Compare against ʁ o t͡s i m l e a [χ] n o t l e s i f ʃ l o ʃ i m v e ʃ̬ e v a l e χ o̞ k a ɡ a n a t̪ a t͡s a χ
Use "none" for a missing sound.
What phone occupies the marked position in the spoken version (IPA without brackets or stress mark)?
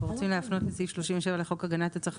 f